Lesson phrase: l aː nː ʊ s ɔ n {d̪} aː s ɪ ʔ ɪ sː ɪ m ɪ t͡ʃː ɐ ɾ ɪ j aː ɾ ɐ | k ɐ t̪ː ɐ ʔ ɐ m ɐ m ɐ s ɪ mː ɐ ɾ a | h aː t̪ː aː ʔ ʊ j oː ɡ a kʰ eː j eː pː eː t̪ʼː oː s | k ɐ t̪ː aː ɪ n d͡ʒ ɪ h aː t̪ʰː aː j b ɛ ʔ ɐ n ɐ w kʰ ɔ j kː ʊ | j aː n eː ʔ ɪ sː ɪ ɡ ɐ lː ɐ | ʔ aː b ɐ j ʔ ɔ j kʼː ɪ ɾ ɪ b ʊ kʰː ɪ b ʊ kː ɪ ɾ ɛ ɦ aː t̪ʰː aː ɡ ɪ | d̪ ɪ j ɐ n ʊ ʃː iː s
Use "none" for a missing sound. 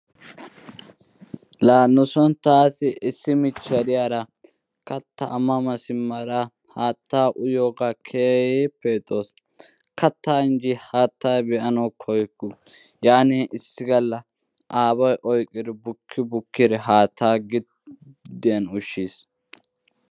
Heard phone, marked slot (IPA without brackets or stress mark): t̪